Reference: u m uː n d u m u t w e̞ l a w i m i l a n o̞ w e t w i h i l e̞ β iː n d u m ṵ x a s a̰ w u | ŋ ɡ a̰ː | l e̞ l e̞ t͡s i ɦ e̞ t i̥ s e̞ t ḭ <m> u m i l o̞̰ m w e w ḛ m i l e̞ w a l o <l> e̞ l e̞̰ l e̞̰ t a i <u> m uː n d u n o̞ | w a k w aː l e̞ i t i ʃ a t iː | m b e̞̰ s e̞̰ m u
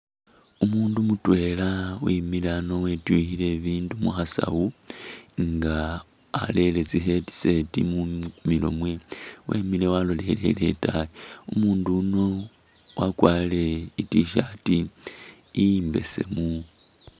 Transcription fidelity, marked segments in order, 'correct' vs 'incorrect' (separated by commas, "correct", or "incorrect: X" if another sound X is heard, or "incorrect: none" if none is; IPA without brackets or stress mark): correct, correct, correct